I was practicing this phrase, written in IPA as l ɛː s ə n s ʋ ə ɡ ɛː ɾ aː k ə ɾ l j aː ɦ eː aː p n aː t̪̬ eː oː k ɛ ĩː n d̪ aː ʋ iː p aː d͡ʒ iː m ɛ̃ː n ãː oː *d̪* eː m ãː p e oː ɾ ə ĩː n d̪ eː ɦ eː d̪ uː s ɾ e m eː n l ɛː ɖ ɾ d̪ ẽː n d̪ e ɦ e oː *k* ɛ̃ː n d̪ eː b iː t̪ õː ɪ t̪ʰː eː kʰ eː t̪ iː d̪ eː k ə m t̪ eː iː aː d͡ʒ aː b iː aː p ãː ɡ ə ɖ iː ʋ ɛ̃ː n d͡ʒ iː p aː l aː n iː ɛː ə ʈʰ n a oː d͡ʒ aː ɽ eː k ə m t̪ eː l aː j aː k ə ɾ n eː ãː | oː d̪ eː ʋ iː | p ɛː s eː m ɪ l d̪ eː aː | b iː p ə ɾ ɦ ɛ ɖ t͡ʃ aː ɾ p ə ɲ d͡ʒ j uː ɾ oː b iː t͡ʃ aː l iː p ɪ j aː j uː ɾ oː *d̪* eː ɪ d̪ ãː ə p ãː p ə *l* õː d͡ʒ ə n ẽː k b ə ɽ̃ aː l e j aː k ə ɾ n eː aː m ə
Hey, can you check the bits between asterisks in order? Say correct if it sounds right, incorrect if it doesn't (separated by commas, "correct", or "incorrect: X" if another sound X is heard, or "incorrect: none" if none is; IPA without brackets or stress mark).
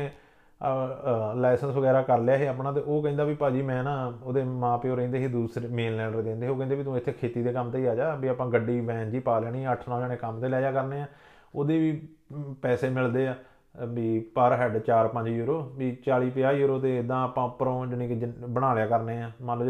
correct, correct, incorrect: t̪, incorrect: ɾ